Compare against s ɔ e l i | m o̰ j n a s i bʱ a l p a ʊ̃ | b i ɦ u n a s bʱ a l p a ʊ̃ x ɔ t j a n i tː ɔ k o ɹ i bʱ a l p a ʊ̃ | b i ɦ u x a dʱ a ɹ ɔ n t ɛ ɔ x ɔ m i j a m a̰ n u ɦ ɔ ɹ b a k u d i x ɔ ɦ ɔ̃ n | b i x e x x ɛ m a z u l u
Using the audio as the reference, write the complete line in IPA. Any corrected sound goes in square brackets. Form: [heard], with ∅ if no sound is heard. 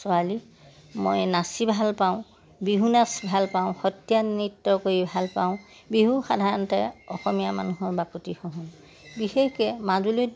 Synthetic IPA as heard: s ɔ [a] l i | m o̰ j n a s i bʱ a l p a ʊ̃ | b i ɦ u n a s bʱ a l p a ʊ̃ x ɔ t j a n i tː ɔ k o ɹ i bʱ a l p a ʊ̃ | b i ɦ u x a dʱ a ɹ ɔ n t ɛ ɔ x ɔ m i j a m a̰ n u ɦ ɔ ɹ b a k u [t] i x ɔ ɦ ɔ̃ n | b i x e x [k] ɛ m a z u l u